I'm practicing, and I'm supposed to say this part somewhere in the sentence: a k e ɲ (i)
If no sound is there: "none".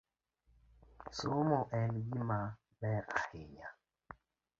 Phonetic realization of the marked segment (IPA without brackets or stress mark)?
a